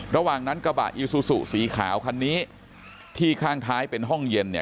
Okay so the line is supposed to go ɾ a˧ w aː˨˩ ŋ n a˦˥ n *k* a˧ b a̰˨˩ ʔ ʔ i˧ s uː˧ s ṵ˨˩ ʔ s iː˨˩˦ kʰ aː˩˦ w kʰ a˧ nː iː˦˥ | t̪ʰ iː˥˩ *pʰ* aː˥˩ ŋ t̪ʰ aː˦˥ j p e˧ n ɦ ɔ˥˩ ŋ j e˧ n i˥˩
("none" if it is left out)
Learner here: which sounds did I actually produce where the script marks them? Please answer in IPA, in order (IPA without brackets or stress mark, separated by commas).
k, kʰ